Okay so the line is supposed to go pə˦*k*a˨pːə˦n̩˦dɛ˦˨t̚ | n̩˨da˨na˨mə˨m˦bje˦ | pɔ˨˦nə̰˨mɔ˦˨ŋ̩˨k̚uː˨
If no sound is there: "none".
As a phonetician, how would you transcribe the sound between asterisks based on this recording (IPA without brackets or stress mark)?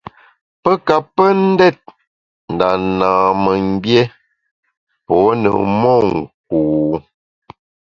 k